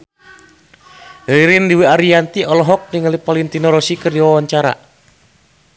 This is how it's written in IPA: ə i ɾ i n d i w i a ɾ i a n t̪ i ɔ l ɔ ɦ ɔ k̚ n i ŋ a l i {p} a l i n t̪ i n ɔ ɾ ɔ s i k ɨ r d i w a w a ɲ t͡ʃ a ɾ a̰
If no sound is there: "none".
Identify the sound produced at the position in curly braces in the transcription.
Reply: p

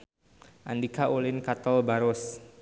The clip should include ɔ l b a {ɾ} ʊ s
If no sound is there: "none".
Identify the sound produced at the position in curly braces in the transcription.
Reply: ɾ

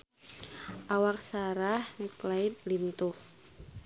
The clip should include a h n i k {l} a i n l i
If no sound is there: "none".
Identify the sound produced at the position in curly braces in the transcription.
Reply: l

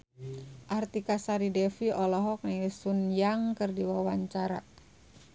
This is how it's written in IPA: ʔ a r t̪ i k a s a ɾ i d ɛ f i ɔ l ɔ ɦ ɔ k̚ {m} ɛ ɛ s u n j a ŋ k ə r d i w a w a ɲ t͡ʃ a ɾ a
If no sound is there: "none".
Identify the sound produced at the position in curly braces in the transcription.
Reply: n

